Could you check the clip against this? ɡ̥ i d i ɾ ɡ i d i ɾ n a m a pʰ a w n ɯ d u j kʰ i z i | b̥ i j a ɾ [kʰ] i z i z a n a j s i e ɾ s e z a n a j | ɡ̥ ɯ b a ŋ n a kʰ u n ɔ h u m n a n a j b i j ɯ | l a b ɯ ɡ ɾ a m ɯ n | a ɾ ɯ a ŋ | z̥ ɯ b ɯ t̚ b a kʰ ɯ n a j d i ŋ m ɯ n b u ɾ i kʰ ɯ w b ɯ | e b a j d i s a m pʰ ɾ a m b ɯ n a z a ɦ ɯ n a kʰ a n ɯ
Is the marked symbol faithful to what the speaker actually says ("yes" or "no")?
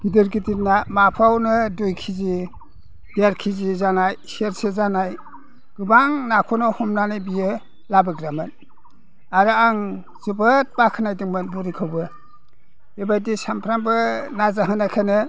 yes